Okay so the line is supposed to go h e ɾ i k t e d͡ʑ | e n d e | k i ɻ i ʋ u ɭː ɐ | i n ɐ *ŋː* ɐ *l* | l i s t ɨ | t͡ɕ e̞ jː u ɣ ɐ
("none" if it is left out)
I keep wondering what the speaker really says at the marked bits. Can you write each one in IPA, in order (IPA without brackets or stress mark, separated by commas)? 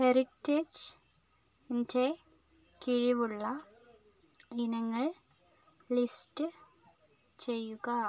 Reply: ŋː, ɭ